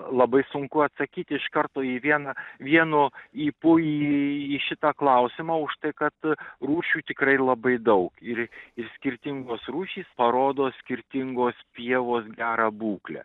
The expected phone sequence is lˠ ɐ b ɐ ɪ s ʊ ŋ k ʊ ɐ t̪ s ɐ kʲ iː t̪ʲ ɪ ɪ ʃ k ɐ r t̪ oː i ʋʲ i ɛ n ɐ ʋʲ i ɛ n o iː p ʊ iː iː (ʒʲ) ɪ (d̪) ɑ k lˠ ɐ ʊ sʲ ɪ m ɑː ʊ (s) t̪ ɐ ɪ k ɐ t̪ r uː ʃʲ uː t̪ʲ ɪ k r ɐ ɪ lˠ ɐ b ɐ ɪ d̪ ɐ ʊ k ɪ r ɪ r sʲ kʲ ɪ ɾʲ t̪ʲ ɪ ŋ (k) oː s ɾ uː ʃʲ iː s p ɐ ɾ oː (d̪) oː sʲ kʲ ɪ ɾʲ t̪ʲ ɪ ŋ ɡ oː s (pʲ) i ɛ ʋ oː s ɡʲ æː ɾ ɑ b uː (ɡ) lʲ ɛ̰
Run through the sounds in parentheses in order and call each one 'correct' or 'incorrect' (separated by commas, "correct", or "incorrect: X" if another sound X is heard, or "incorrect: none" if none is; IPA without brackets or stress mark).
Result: incorrect: ʃʲ, incorrect: t̪, incorrect: ʃ, incorrect: ɡ, correct, correct, incorrect: k